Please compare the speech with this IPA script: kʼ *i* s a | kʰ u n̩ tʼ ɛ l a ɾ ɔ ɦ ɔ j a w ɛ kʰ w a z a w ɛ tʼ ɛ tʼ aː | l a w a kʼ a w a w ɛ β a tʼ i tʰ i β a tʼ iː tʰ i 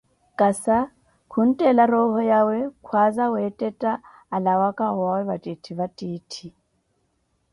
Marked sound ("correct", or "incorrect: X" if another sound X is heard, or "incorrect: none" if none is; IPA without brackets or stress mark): incorrect: a